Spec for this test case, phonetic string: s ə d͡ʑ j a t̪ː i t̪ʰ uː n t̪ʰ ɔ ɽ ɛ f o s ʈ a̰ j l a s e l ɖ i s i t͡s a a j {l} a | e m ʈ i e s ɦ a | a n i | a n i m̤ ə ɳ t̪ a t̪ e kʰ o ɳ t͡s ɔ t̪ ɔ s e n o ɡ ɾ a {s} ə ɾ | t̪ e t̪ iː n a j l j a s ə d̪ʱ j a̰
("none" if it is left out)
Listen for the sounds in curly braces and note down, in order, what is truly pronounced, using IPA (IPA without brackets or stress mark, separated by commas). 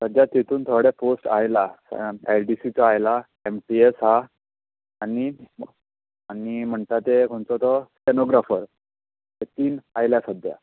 l, f